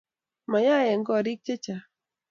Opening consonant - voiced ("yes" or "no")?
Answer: yes